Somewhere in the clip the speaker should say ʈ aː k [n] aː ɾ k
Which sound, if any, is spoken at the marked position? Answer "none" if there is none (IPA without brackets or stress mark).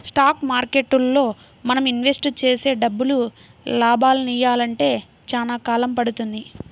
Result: m